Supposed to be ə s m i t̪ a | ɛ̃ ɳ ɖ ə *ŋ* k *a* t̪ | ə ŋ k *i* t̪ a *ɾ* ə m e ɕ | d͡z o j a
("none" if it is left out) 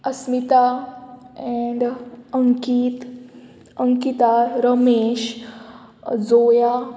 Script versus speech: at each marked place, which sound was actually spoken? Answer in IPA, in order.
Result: ŋ, i, i, ɾ

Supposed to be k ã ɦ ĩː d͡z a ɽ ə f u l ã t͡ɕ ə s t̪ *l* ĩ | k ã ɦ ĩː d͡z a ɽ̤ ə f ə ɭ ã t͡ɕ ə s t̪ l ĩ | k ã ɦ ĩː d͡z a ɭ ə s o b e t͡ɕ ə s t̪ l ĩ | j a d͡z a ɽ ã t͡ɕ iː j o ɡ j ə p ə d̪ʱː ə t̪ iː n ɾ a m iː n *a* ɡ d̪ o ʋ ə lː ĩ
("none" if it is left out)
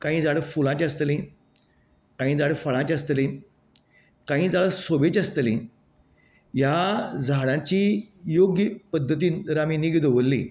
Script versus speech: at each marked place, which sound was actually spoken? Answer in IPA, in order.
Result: l, i

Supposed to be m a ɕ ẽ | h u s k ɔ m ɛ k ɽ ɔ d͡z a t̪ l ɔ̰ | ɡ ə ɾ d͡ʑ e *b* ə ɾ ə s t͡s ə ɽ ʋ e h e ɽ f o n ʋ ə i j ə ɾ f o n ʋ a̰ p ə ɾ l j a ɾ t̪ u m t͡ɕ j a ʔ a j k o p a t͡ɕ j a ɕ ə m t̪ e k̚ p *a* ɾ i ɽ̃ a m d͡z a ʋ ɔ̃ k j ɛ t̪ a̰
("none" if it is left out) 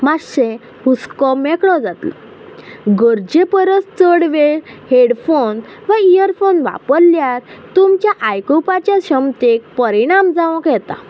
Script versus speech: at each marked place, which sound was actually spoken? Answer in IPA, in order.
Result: p, ə

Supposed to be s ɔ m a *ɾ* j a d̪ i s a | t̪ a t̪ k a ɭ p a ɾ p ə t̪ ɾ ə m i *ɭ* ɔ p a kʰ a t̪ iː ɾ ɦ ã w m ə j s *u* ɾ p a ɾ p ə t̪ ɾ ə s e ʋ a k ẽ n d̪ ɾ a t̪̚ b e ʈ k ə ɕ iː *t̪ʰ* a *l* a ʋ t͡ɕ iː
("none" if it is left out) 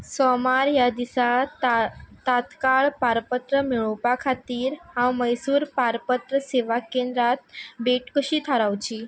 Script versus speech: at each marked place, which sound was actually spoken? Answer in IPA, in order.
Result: ɾ, ɭ, uː, t̪ʰ, ɾ

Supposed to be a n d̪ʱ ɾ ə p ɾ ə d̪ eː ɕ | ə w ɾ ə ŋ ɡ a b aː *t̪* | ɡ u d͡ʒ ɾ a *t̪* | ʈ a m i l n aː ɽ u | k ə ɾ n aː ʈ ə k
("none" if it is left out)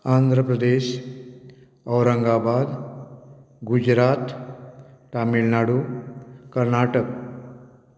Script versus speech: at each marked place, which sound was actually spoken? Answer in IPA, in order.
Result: d̪, t̪

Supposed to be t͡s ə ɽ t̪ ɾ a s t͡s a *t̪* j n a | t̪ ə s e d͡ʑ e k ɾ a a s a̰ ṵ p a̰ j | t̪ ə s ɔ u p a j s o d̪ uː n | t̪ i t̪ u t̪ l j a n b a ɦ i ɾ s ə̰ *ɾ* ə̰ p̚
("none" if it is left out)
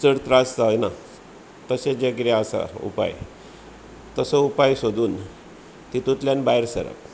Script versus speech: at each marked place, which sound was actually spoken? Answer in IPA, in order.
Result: none, ɾ

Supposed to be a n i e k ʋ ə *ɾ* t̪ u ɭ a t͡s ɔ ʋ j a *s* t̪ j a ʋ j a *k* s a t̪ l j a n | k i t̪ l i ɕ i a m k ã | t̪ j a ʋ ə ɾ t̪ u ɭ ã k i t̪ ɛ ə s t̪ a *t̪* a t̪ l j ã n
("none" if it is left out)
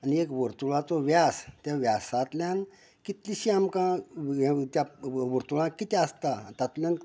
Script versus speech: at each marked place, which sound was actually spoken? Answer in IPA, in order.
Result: ɾ, s, none, t̪

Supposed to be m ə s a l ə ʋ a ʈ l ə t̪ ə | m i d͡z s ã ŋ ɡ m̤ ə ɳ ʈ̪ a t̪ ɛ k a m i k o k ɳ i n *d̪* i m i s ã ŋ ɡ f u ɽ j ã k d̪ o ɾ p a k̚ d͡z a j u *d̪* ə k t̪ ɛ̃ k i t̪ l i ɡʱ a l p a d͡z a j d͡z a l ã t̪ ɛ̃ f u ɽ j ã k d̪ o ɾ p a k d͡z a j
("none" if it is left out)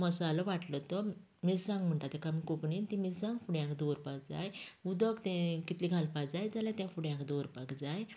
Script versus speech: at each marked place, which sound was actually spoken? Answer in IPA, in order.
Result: t̪, d̪

